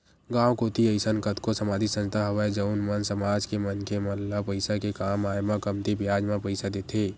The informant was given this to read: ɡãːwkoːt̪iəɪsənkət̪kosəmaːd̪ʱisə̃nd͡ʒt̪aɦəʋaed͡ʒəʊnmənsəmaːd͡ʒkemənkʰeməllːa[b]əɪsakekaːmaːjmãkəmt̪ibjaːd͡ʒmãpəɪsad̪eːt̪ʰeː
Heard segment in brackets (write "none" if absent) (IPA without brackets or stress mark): p